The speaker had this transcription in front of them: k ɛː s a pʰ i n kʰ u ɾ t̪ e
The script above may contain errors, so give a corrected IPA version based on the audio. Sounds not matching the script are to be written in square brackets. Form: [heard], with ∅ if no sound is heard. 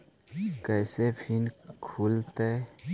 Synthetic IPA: k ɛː s [e] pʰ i n kʰ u [l] t̪ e